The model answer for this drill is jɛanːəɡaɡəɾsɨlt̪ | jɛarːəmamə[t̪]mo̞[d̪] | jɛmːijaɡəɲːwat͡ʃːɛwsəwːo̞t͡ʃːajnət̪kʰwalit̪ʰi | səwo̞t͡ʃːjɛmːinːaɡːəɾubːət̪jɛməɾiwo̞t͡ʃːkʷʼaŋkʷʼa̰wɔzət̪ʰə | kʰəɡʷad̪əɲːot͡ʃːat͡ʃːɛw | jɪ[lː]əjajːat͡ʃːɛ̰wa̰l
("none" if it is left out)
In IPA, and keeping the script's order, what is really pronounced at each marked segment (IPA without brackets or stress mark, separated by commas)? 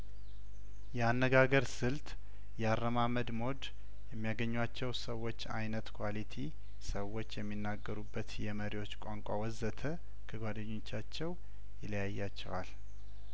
d̪, d̪, l